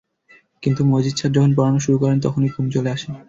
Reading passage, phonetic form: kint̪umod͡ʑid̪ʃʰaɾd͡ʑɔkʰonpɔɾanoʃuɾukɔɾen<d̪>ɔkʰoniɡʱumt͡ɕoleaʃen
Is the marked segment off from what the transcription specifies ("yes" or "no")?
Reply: yes